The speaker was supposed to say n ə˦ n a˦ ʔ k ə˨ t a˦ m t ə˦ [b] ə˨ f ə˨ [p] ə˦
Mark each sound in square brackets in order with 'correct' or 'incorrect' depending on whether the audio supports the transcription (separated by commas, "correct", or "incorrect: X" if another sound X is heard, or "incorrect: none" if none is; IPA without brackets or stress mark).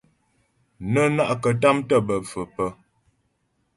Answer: correct, correct